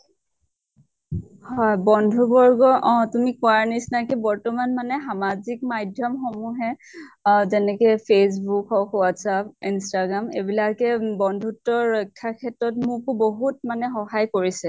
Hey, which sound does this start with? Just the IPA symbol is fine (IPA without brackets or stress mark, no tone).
h